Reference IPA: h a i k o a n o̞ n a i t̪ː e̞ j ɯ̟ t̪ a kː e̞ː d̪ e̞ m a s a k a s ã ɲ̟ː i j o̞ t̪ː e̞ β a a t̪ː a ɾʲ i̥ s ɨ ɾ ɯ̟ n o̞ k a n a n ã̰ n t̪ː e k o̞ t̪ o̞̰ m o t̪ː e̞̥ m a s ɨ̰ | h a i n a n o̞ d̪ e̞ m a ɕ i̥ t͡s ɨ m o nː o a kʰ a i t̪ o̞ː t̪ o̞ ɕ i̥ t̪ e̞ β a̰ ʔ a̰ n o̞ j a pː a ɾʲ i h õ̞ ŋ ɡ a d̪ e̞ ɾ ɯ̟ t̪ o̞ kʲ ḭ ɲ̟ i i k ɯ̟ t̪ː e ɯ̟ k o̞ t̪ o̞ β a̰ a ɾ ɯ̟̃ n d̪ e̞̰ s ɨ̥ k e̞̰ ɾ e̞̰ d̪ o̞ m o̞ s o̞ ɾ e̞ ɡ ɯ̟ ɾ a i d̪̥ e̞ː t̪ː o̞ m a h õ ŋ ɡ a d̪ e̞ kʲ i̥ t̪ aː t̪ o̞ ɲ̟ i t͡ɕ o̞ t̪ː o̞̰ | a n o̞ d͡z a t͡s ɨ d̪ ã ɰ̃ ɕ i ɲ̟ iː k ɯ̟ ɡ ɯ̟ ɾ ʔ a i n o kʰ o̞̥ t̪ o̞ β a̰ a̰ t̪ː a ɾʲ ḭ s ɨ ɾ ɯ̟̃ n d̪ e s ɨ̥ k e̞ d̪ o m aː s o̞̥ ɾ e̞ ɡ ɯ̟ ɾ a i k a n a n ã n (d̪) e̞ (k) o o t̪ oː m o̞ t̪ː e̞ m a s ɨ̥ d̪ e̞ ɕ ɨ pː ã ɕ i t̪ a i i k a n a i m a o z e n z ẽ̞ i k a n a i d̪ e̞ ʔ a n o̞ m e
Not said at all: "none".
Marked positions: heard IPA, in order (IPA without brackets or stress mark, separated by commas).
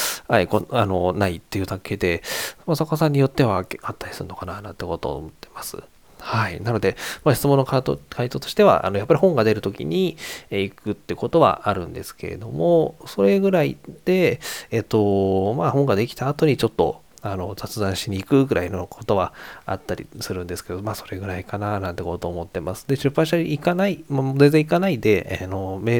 t̪, k